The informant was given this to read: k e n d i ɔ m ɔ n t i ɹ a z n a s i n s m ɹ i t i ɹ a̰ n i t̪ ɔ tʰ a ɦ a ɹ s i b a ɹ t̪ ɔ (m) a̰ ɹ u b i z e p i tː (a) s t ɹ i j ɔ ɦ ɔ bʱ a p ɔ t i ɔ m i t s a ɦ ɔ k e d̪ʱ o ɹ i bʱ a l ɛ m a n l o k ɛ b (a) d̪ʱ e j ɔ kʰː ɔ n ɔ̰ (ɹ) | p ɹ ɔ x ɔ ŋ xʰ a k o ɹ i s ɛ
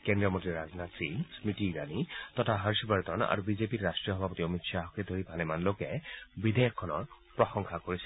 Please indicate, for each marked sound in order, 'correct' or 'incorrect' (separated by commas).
incorrect, correct, incorrect, correct